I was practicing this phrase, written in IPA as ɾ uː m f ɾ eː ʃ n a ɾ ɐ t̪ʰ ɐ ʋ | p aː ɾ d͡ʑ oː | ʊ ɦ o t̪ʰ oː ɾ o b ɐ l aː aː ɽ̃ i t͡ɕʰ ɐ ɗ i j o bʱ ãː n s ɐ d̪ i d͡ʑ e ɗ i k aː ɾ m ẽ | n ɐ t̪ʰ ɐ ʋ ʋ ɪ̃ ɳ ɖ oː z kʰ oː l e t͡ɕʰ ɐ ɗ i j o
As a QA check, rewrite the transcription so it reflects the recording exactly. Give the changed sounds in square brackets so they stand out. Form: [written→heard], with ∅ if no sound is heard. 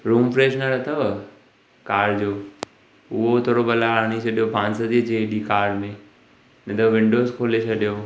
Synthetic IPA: ɾ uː m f ɾ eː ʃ n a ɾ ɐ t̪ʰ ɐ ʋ | [p→k] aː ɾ d͡ʑ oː | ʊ ɦ o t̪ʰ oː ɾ o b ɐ l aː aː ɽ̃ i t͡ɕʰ ɐ ɗ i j o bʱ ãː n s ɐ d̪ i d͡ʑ e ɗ i k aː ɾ m ẽ | n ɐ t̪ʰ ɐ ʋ ʋ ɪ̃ ɳ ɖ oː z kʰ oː l e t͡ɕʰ ɐ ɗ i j o